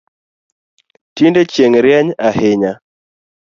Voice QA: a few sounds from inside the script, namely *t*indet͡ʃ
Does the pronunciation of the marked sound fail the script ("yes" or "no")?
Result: no